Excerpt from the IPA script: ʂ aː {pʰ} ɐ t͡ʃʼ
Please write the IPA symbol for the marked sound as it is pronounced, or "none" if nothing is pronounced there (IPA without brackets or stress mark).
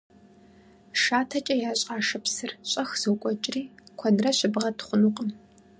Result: tʰ